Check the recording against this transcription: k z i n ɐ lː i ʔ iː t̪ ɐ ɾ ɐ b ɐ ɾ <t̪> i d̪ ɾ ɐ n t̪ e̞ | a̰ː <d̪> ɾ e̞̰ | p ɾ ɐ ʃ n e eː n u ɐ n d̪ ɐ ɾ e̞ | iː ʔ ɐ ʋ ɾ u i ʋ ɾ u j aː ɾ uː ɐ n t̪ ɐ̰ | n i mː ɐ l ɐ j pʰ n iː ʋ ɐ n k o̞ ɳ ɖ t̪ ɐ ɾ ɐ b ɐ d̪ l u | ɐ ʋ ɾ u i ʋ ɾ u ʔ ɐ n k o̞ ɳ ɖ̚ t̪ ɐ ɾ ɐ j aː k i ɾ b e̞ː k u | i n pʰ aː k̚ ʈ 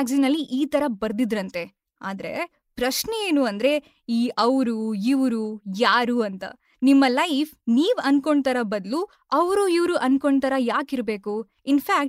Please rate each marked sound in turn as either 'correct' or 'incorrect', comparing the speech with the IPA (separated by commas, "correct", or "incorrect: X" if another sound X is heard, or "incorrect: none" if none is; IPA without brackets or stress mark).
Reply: incorrect: d̪, correct